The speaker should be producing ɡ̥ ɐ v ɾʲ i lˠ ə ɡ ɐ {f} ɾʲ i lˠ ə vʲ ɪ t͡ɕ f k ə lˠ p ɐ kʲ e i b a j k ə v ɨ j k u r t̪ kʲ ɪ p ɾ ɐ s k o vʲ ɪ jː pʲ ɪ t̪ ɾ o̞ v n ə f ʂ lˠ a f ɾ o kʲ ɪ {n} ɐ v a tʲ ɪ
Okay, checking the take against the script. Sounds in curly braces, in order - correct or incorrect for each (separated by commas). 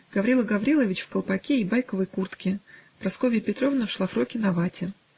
incorrect, correct